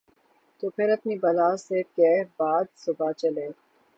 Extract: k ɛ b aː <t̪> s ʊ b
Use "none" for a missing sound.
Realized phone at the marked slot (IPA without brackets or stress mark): d̪